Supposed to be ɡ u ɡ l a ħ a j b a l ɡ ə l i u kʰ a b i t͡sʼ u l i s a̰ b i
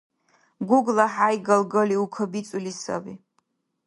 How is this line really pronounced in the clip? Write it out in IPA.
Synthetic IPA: ɡ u ɡ l a ħ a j ɡ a l ɡ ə l i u kʰ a b i t͡sʼ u l i s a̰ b i